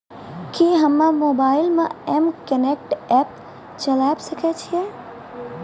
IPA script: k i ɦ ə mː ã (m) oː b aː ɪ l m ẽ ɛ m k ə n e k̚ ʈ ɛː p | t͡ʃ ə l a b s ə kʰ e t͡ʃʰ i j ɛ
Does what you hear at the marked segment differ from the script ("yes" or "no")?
no